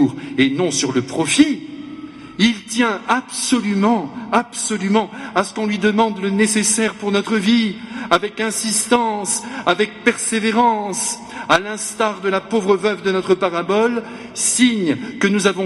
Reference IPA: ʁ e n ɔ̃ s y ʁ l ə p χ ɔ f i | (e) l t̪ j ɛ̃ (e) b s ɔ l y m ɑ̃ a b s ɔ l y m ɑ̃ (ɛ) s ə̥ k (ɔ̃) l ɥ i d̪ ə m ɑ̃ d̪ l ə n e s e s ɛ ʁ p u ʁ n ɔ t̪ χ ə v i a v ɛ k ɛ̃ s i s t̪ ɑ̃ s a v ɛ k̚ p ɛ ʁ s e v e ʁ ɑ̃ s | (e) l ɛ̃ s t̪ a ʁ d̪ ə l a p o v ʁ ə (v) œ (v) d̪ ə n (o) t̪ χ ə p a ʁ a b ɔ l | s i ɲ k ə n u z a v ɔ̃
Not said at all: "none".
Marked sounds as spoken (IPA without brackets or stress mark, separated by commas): i, a, a, ɔ̃, a, v, v, ɔ